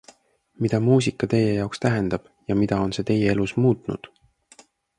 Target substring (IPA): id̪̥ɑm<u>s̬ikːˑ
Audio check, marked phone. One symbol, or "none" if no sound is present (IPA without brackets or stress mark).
uː